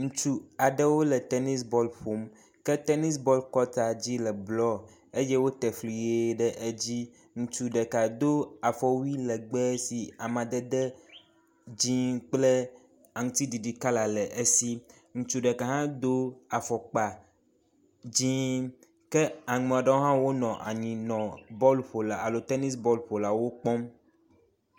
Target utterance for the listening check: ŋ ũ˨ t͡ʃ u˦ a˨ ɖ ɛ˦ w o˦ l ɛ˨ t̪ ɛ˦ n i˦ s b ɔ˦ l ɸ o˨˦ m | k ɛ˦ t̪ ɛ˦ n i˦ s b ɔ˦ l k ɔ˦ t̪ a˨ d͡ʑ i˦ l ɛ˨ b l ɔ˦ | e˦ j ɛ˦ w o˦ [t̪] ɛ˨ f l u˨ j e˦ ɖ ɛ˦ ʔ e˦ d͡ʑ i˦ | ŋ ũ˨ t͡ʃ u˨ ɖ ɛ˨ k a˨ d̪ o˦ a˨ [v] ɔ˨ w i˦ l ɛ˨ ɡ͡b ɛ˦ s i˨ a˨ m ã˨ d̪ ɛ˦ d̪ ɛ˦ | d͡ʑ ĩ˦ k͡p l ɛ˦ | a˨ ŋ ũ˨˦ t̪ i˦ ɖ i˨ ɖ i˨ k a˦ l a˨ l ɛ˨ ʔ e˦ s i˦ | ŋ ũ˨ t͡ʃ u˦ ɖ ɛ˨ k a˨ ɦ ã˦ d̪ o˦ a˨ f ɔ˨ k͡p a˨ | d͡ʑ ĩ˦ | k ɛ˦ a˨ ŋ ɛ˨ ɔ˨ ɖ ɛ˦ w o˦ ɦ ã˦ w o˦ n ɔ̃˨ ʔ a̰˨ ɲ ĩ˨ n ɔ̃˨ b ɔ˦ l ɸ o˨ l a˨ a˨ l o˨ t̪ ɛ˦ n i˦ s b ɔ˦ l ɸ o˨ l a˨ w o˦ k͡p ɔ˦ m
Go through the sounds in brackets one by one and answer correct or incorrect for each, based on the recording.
correct, incorrect

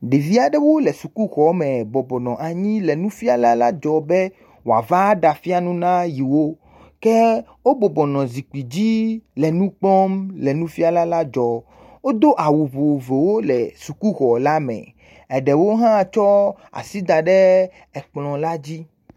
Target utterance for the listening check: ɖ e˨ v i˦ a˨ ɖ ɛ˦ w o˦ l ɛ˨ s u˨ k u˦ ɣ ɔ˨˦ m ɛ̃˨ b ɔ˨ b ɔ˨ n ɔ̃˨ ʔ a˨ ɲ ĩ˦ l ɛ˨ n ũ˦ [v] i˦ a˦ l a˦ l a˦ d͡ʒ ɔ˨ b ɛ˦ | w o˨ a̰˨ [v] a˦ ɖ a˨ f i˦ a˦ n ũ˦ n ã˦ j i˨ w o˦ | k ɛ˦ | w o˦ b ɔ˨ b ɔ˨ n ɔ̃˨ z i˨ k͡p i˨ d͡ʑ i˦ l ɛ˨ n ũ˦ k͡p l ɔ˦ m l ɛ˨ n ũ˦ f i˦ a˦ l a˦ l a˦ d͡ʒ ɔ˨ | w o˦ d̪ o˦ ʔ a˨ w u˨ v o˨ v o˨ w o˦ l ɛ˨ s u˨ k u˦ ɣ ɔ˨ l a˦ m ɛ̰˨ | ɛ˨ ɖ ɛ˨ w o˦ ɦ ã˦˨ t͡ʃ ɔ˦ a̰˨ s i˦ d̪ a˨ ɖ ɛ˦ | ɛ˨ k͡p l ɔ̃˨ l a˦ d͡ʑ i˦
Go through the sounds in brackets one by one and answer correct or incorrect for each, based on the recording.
incorrect, correct

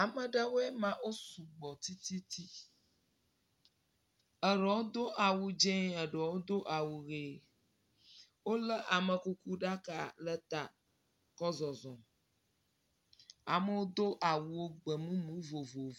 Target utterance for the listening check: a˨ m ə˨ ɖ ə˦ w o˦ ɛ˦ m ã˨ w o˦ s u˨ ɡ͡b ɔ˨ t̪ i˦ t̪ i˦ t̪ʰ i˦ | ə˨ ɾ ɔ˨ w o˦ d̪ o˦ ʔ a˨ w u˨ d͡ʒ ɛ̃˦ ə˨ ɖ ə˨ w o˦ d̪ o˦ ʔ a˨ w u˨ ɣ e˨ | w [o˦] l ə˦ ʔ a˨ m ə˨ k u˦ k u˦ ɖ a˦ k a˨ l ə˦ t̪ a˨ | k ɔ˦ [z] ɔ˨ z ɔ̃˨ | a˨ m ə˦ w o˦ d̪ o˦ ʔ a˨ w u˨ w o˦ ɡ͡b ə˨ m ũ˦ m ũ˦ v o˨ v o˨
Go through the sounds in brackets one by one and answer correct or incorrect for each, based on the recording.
correct, correct

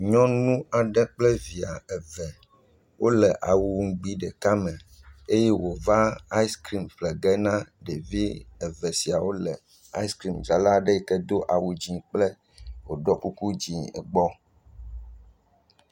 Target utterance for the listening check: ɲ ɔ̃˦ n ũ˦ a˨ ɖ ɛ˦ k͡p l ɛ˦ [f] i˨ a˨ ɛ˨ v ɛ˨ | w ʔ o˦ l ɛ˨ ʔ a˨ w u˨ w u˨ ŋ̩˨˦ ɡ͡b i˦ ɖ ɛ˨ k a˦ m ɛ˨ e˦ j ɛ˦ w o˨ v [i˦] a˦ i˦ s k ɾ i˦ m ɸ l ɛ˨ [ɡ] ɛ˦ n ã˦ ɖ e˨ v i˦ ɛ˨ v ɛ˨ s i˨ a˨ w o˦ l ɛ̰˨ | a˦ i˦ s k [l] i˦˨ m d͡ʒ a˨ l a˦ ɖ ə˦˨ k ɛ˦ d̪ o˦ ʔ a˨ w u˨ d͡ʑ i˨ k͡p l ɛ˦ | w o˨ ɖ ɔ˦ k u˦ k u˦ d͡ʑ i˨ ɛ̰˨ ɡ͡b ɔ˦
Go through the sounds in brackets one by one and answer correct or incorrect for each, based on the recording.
incorrect, incorrect, correct, incorrect

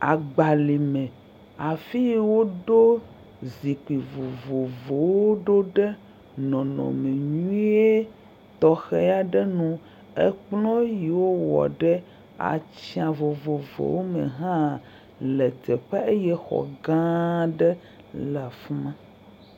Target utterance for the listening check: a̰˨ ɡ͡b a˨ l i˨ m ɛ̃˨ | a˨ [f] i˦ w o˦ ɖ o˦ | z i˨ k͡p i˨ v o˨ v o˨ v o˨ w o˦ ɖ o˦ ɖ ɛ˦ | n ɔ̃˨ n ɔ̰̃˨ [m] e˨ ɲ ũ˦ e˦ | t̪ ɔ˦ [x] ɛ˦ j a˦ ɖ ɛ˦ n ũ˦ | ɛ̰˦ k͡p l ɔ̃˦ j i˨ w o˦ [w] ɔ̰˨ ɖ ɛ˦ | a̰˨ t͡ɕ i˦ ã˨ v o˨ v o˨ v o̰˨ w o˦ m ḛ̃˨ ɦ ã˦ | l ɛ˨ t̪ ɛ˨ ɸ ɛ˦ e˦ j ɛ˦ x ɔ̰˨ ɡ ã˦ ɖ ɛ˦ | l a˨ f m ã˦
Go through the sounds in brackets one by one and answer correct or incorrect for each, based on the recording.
correct, correct, correct, correct

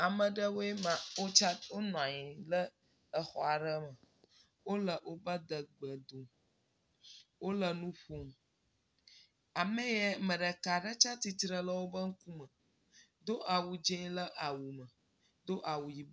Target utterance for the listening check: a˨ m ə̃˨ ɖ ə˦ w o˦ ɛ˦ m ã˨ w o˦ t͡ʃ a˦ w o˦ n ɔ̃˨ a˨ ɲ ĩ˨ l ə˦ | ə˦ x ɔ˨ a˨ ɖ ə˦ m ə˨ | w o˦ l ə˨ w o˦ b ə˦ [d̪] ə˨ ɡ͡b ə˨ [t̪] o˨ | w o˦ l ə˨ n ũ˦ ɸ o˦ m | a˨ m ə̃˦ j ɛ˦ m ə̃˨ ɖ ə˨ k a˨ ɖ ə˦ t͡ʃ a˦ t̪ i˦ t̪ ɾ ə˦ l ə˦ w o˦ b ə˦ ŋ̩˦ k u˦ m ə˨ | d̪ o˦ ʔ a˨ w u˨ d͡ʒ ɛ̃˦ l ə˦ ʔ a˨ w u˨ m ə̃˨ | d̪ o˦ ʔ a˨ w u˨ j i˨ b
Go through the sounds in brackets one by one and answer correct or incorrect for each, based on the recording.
correct, incorrect

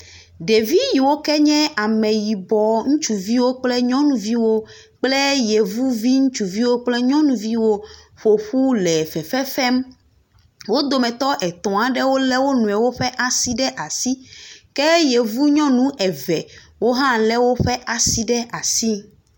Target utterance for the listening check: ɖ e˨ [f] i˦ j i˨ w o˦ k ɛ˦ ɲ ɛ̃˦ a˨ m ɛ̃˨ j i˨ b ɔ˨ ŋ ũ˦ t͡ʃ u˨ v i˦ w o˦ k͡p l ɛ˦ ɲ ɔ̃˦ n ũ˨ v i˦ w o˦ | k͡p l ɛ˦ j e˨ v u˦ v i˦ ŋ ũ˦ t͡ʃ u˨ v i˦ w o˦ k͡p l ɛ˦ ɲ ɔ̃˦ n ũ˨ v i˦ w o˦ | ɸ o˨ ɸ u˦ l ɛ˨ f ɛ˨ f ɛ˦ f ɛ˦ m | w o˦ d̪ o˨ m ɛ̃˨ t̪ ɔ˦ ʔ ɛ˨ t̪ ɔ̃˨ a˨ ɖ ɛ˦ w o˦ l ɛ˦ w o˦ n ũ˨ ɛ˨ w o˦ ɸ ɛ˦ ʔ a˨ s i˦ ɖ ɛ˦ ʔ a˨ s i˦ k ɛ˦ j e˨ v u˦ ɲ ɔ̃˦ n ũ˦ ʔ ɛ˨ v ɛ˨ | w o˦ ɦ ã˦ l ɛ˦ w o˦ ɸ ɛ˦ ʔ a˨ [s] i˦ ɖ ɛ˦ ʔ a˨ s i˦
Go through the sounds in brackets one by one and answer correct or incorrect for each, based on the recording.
incorrect, correct

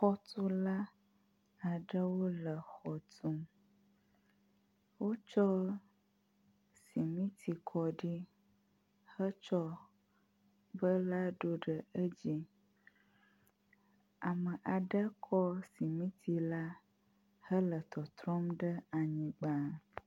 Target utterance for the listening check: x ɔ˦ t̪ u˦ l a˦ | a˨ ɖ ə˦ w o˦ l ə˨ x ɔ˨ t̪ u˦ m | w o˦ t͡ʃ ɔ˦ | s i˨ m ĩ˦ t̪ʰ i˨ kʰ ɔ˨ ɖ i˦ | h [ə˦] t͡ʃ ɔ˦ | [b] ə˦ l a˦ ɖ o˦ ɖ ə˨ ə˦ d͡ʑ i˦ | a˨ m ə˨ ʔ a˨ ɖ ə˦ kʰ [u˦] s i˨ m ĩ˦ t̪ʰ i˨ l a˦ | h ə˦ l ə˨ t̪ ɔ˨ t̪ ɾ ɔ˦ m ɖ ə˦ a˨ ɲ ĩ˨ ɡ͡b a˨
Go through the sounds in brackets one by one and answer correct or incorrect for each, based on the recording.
correct, correct, incorrect

